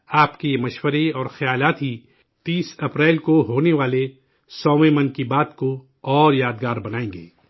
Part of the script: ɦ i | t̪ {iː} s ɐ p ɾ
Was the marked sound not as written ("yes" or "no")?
no